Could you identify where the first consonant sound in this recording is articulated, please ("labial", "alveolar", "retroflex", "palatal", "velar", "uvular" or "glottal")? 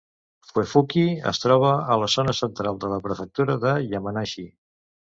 labial